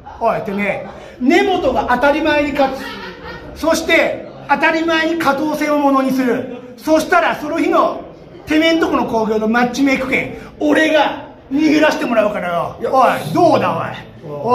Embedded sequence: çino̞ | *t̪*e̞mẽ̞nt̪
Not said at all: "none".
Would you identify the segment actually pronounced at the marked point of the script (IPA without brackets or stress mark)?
t̪